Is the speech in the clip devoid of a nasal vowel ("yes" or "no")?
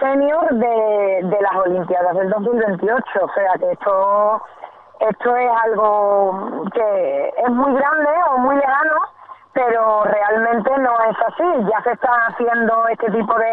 no